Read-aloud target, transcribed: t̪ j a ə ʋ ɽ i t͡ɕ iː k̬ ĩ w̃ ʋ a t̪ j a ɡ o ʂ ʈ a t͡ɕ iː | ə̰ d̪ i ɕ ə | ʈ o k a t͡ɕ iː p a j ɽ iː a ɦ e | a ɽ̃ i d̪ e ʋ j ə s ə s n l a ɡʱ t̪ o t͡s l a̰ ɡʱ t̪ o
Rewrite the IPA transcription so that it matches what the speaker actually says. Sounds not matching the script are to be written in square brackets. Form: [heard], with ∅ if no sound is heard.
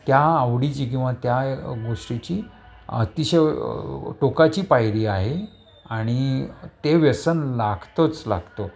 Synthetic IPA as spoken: t̪ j a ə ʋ ɽ i t͡ɕ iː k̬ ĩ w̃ ʋ a t̪ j a ɡ o ʂ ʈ [i] t͡ɕ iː | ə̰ [t̪] i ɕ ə | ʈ o k a t͡ɕ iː p a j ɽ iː a ɦ e | a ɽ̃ i [t̪] e ʋ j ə s ə [∅] n l a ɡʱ t̪ o t͡s l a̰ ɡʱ t̪ o

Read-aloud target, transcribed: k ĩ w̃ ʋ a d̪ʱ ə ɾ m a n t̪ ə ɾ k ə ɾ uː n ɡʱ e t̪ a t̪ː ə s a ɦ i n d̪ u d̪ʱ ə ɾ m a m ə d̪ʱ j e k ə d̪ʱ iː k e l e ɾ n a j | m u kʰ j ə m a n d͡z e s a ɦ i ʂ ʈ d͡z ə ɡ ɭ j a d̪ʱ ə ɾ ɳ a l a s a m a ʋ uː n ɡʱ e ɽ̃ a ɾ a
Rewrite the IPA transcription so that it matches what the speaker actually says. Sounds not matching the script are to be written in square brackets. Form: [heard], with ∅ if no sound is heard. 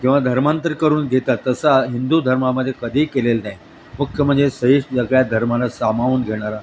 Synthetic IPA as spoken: k ĩ w̃ ʋ a d̪ʱ ə ɾ m a n t̪ ə ɾ k ə ɾ uː n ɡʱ e t̪ a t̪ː ə s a ɦ i n d̪ u d̪ʱ ə ɾ m a m ə d̪ʱ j e k ə d̪ʱ iː k e l e [l] n a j | m u kʰ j ə m [ə] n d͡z e s [ə] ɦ i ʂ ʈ d͡z ə ɡ ɭ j a d̪ʱ ə ɾ [m] a l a s a m a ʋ uː n ɡʱ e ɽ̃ a ɾ a

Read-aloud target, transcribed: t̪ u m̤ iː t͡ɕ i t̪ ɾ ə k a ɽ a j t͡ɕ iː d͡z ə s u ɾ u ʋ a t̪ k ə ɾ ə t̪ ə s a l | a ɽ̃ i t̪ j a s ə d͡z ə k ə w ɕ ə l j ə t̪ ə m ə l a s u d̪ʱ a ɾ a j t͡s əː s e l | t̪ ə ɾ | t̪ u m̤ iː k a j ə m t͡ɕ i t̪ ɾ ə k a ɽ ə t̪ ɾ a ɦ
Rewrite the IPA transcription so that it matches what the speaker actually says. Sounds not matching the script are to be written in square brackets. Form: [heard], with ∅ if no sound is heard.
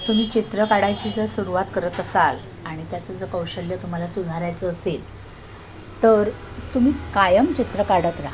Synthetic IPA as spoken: t̪ u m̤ iː t͡ɕ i t̪ ɾ ə k a ɽ a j t͡ɕ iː d͡z ə s u ɾ u ʋ a t̪ k ə ɾ ə t̪ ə s a l | a ɽ̃ i t̪ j a [t͡s] ə d͡z ə k ə w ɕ ə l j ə t̪ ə m ə l a s u d̪ʱ a ɾ a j t͡s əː s e l | t̪ ə ɾ | t̪ u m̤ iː k a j ə m t͡ɕ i t̪ ɾ ə k a ɽ ə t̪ ɾ a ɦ

